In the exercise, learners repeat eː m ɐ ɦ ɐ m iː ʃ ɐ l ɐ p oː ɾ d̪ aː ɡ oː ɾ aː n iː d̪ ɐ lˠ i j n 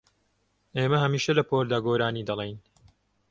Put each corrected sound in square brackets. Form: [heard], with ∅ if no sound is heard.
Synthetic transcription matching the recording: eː m ɐ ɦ ɐ m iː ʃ ɐ l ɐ p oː ɾ d̪ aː ɡ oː ɾ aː n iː d̪ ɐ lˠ [e] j n